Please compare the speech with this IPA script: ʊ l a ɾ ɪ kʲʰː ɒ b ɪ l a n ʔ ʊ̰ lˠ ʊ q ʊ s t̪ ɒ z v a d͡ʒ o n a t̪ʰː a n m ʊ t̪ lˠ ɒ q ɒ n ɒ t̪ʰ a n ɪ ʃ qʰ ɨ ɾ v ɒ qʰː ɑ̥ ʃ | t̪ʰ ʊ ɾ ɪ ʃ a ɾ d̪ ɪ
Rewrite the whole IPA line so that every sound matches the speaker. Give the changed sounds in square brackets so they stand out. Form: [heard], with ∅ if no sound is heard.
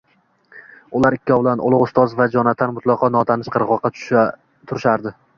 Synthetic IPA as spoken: ʊ l a ɾ ɪ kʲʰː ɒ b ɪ l a n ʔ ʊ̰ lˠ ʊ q ʊ s t̪ ɒ z v a d͡ʒ [ɒ] n a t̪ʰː a n m ʊ t̪ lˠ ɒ q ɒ n ɒ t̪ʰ a n ɪ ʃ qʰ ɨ ɾ [ʁ] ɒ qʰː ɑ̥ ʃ | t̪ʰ ʊ ɾ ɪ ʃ a ɾ d̪ ɪ